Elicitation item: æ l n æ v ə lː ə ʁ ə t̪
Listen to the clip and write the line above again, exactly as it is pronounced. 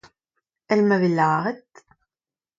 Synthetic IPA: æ l m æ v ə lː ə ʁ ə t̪